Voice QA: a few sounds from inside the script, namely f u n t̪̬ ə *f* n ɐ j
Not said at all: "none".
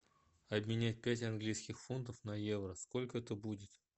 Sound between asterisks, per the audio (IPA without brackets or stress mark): f